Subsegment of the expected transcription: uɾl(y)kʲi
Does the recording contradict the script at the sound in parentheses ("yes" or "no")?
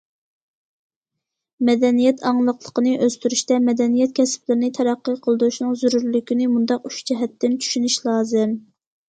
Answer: no